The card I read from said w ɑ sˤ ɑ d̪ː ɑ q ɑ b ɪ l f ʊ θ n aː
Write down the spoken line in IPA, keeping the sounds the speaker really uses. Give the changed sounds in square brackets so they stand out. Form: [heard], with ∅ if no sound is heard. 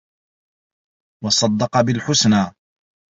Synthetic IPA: w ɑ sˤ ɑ d̪ː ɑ q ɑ b ɪ l [ħ] ʊ [s] n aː